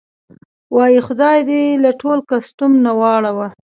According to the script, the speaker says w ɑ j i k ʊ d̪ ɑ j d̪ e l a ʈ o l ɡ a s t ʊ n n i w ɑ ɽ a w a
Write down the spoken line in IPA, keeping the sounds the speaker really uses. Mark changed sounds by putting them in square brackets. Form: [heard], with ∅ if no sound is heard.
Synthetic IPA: w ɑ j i [x] ʊ d̪ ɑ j d̪ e l a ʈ o l [k] a s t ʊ [m] n [a] w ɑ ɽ a w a